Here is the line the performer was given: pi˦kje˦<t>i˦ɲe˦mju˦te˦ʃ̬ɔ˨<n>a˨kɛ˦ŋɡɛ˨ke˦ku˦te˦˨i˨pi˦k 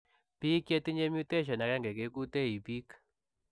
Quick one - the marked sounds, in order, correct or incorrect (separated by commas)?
correct, correct